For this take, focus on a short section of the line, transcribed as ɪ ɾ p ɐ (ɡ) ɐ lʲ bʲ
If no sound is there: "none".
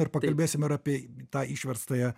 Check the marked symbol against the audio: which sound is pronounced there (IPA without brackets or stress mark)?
k